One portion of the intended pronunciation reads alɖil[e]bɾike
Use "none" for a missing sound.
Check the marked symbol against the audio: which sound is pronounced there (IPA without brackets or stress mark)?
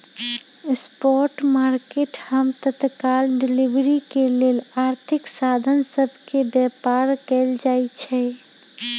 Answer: i